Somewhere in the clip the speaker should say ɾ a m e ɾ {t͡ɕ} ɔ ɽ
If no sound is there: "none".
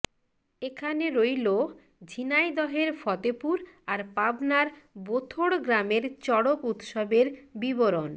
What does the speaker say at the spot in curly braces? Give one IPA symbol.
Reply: t͡ɕ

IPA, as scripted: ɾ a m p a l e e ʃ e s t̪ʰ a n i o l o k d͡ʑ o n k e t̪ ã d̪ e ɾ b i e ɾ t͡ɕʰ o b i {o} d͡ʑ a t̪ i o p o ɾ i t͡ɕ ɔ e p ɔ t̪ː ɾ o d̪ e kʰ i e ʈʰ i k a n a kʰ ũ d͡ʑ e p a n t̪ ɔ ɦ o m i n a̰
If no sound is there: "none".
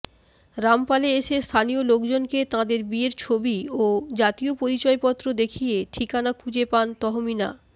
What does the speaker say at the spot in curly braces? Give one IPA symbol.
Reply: o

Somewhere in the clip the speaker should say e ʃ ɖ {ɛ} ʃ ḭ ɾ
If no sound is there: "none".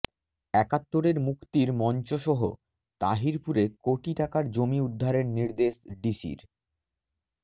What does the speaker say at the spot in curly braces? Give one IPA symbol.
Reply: i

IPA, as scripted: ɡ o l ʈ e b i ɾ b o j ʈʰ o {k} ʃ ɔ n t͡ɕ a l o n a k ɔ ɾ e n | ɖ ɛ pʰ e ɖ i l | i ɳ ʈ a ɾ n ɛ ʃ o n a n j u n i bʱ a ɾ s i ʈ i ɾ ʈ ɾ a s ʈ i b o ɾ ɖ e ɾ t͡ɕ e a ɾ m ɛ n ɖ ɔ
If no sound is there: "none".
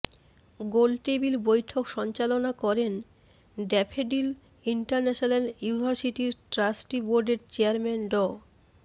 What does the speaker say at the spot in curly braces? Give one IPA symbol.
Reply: k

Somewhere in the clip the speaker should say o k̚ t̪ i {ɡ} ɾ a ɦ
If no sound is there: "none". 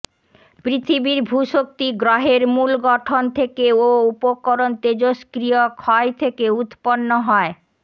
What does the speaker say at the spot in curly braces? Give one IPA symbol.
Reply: ɡ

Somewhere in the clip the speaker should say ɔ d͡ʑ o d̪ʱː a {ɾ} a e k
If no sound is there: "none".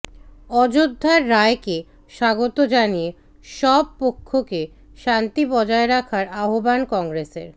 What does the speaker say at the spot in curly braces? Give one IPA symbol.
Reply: ɾː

